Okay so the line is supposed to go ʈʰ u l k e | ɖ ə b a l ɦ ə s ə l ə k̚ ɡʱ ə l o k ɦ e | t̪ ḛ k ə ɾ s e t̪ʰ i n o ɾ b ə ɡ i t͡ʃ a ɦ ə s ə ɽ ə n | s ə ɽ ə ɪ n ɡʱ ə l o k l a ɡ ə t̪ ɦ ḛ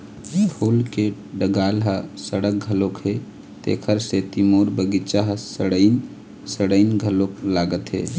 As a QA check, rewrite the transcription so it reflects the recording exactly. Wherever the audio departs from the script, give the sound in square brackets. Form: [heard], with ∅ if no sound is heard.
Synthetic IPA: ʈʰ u l k e | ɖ ə [ɡ] a l ɦ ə s ə [ɽ] ə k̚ ɡʱ ə l o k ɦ e | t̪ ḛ [kʰ] ə ɾ s e [t̪] i [m] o ɾ b ə ɡ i t͡ʃ a ɦ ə s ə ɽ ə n | s ə ɽ ə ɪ n ɡʱ ə l o k l a ɡ ə t̪ ɦ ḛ

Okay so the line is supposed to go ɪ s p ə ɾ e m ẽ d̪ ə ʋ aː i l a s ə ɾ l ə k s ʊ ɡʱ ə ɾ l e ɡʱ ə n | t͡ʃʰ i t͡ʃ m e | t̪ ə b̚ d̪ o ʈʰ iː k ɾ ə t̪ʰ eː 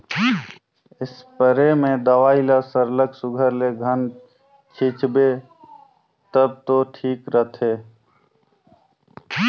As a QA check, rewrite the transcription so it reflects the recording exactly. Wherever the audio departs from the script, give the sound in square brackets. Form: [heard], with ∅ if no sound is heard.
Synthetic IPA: ɪ s p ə ɾ e m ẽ d̪ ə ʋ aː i l a s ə ɾ l ə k s ʊ ɡʱ ə ɾ l e ɡʱ ə n | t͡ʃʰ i t͡ʃ [b] e | t̪ ə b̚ [t̪] o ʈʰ iː k ɾ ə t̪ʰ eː

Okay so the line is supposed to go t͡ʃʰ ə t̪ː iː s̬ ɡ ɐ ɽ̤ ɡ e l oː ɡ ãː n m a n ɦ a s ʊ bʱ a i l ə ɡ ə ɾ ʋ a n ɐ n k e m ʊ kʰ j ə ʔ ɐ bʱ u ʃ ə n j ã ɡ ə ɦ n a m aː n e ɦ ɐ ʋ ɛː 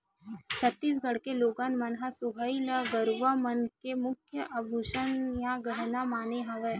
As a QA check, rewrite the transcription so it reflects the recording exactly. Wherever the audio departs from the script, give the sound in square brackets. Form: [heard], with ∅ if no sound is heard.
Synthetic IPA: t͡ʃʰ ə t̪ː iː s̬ ɡ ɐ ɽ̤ [k] e l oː ɡ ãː n m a n ɦ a s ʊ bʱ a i l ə ɡ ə ɾ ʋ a [m] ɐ n k e m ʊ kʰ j ə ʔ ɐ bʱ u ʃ ə n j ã ɡ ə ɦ n a m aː n e ɦ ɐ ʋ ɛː

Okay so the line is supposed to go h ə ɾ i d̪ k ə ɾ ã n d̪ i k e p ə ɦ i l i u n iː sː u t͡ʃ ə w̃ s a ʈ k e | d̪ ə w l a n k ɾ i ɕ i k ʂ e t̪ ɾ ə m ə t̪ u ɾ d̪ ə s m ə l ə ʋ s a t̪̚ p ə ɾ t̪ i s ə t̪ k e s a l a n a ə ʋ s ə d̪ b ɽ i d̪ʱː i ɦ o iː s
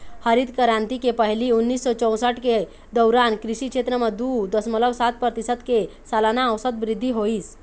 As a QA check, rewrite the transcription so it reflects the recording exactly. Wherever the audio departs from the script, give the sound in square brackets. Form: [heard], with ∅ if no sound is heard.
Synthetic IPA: h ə ɾ i d̪ k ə ɾ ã n [t̪] i k e p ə ɦ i l i u [nː] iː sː [ɔ] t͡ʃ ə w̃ s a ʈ k e | d̪ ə w [ɾ] a n k ɾ i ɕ i k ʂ e t̪ ɾ ə m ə [d̪] u [∅] d̪ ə s m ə l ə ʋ s a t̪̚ p ə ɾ t̪ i s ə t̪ k e s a l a n a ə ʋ s ə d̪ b [ɾ] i d̪ʱː i ɦ o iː s

